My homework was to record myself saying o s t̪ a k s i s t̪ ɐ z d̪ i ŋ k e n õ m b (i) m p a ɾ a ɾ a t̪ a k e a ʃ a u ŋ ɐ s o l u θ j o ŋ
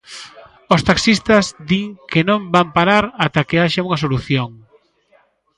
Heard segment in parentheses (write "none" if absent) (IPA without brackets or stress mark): a